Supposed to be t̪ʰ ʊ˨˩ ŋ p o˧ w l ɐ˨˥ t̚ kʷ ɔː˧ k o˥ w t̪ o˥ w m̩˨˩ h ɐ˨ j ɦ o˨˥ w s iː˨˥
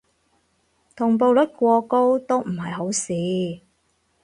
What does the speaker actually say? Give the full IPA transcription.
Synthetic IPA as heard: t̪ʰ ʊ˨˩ ŋ p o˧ w l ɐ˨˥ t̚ kʷ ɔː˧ k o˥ w t̪ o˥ w m̩˨˩ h ɐ˨ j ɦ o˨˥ w s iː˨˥